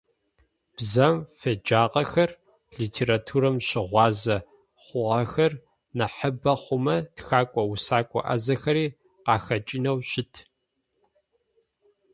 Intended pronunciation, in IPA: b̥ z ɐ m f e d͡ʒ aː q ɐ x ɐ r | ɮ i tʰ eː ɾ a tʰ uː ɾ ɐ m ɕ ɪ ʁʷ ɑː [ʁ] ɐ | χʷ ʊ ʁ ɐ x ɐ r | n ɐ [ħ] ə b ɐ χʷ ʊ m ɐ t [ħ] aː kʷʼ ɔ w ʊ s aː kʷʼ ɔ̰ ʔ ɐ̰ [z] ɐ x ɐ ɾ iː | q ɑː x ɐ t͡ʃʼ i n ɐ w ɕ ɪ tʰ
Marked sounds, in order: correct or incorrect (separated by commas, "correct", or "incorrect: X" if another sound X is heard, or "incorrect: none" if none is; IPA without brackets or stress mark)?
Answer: incorrect: z, correct, incorrect: x, correct